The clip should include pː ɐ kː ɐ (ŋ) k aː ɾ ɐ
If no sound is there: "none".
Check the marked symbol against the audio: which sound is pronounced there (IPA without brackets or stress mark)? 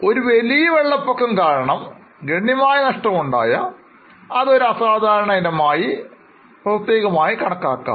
m